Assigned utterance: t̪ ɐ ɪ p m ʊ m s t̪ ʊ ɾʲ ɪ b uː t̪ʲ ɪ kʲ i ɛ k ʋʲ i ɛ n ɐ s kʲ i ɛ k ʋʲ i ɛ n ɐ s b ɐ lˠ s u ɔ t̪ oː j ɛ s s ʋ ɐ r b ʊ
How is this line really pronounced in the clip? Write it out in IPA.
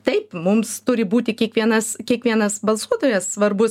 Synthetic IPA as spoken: t̪ ɐ ɪ p m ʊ m s t̪ ʊ ɾʲ ɪ b uː t̪ʲ ɪ kʲ i ɛ k ʋʲ i ɛ n ɐ s kʲ i ɛ k ʋʲ i ɛ n ɐ s b ɐ lˠ s u ɔ t̪ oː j ɛ s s ʋ ɐ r b ʊ